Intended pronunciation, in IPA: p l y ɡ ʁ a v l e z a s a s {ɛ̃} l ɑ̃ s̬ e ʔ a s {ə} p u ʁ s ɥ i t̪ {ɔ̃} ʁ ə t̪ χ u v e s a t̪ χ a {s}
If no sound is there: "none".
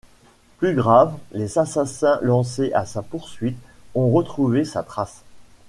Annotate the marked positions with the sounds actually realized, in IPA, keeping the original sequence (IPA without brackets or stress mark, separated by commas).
ɛ̃, a, ɔ̃, s